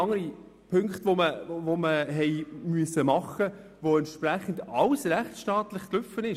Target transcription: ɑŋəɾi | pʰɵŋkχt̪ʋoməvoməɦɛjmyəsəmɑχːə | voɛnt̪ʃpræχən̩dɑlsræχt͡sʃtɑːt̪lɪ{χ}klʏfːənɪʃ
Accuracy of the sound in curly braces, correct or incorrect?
correct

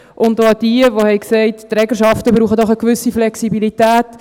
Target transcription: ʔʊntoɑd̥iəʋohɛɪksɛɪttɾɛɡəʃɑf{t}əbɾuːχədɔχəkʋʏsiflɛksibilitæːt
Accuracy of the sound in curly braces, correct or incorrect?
correct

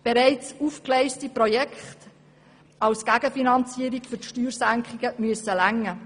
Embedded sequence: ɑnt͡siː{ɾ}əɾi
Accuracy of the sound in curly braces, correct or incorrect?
incorrect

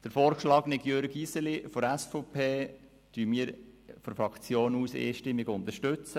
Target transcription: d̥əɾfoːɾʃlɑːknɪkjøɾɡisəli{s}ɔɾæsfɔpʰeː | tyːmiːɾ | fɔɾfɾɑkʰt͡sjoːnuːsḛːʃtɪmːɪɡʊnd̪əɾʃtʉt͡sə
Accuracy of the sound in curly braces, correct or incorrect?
incorrect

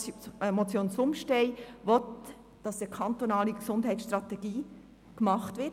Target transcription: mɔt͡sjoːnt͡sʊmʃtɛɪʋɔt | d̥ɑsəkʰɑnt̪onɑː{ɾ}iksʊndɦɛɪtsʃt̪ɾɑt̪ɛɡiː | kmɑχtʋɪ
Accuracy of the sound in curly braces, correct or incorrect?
incorrect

